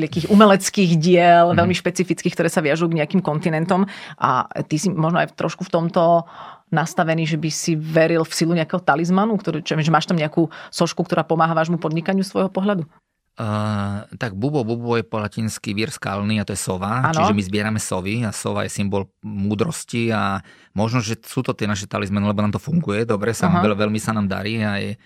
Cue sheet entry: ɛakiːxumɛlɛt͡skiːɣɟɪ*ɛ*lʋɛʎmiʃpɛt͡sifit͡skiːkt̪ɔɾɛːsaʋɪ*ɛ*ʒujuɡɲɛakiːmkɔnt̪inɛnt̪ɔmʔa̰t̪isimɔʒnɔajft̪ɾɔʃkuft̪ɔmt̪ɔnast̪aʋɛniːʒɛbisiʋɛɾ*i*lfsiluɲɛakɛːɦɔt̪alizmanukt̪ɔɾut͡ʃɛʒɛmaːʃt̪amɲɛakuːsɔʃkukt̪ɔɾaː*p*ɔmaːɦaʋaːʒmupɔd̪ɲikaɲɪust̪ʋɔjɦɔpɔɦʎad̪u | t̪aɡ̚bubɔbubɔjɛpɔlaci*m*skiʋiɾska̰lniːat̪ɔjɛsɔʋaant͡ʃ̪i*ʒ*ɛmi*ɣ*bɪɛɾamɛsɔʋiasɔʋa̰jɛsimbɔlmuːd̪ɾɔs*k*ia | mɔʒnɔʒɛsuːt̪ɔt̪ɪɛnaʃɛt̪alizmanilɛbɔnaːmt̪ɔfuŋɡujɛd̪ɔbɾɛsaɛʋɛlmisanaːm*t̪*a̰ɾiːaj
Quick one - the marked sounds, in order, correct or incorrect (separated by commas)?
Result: correct, incorrect, correct, correct, incorrect, correct, incorrect, incorrect, incorrect